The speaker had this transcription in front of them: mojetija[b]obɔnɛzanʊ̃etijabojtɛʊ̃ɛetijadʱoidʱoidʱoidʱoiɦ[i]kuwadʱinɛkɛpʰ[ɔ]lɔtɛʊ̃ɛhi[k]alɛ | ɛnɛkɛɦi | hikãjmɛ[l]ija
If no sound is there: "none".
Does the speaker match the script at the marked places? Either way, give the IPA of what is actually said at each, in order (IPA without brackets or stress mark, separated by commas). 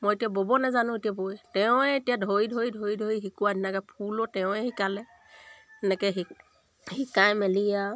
b, i, u, k, l